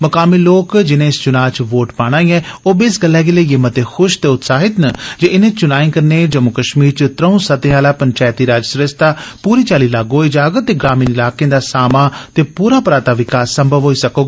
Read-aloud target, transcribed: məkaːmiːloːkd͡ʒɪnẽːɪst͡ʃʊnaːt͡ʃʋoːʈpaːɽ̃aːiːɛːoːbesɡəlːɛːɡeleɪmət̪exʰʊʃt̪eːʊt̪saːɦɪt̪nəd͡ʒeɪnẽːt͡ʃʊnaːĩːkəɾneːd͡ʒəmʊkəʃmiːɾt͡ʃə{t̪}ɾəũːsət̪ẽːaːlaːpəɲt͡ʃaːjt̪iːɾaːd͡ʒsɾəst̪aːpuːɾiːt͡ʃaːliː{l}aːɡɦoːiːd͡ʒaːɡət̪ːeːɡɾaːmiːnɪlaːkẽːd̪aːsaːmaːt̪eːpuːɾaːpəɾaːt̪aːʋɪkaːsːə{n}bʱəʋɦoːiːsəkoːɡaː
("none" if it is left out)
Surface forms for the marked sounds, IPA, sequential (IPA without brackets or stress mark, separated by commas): t̪, l, m